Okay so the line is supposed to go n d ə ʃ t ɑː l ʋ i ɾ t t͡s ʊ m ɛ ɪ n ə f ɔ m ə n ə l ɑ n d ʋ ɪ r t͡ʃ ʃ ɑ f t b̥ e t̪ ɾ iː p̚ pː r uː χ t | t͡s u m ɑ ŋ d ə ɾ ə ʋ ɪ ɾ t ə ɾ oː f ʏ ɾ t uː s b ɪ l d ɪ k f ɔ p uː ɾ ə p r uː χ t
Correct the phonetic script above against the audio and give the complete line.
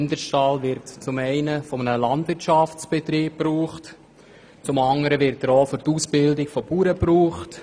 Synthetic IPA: n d ə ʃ t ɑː l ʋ ɪ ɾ t t͡s ʊ m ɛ ɪ n ə f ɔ m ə n ə l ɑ n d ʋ ɪ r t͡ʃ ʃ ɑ f t͡s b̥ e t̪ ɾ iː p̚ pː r uː χ t | t͡s ʊ m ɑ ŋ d ə ɾ ə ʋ ɪ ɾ t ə ɾ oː f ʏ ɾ t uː s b ɪ l d ɪ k f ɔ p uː ɾ ə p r uː χ t